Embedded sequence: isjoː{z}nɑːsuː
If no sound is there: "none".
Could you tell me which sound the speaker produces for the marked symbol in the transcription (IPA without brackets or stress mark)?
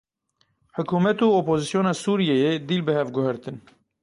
none